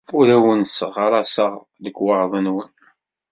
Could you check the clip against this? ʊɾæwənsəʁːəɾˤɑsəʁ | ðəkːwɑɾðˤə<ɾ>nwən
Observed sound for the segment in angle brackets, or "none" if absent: none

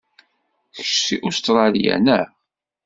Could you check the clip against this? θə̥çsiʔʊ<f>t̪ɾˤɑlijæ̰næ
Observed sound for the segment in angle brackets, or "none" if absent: s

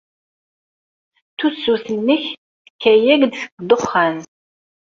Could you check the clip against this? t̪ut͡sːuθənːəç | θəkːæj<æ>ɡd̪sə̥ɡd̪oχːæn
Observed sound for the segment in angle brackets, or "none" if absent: æ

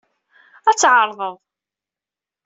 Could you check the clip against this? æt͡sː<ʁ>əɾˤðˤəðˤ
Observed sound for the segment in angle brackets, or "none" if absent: ʕ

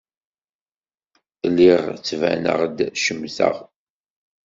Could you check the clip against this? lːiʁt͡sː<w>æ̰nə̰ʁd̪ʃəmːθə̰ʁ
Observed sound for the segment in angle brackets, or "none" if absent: v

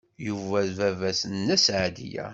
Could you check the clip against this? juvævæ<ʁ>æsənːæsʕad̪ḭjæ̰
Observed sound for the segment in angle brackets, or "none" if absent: v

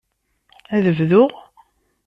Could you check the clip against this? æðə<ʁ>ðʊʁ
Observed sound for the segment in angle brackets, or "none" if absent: v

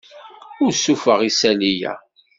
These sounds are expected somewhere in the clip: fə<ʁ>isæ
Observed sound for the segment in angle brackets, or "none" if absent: ʁ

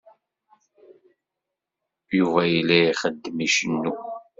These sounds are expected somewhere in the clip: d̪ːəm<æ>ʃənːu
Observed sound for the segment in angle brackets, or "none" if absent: i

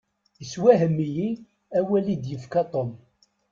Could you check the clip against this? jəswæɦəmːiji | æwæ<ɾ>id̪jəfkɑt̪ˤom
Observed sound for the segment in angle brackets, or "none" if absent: l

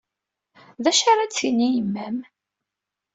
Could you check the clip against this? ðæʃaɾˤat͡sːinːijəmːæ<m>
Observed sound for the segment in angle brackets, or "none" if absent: m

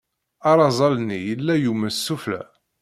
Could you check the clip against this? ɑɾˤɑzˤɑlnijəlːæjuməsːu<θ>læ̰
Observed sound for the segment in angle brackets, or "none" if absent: f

